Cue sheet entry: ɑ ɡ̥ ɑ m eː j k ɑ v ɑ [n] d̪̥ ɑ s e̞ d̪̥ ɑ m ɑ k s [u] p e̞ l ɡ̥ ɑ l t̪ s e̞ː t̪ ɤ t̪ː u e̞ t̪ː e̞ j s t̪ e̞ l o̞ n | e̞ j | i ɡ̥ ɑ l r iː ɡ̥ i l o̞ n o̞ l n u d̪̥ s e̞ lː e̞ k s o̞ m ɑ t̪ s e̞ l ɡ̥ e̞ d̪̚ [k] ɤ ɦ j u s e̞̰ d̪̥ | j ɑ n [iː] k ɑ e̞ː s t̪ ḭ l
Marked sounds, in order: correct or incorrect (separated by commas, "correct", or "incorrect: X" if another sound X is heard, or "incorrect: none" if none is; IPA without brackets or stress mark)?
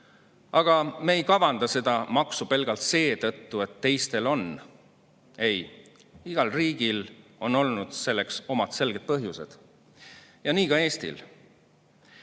correct, correct, incorrect: p, correct